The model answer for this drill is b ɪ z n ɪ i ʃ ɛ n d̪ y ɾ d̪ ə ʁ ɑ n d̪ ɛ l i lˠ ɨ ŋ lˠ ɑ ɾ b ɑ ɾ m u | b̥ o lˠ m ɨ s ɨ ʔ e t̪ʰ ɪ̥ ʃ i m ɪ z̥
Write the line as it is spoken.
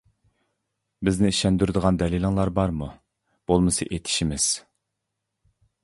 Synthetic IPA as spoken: b ɪ z n ɪ i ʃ ɛ n d̪ y ɾ d̪ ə ʁ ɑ n d̪ ɛ l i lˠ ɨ ŋ lˠ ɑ ɾ b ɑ ɾ m u | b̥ o lˠ m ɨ s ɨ ʔ e t̪ʰ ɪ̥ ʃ i m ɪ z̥